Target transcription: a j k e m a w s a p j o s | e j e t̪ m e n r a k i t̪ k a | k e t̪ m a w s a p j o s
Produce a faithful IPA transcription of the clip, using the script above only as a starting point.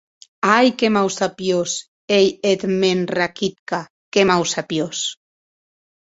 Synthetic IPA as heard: a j k e m a w s a p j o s | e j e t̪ m e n r a k i t̪ k a | k e m a w s a p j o s